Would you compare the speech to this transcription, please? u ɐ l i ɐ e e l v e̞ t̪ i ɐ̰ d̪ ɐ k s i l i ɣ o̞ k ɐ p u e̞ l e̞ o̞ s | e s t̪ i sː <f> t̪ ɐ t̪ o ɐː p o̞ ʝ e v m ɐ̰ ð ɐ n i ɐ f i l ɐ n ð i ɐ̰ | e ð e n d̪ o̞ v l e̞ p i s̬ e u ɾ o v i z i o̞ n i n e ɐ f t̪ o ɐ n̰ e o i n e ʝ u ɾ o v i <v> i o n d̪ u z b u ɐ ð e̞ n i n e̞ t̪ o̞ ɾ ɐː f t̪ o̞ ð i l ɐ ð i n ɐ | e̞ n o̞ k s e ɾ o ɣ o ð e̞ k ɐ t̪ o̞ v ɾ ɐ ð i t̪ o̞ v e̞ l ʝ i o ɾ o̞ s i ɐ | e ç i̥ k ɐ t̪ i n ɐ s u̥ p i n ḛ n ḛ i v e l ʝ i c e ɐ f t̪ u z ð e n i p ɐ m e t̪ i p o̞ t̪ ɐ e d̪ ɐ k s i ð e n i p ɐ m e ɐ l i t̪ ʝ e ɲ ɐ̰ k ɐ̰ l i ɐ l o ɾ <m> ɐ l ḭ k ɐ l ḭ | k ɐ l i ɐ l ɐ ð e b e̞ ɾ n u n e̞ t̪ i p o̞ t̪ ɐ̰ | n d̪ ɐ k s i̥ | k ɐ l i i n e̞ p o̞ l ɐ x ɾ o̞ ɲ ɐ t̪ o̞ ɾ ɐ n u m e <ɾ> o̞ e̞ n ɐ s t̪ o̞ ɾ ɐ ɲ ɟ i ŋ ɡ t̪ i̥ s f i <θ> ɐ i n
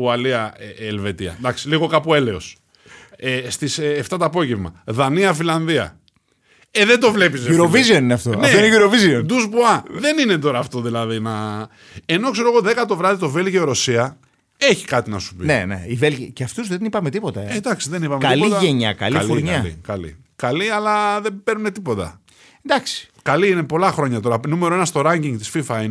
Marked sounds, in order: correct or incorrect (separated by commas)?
correct, incorrect, incorrect, correct, incorrect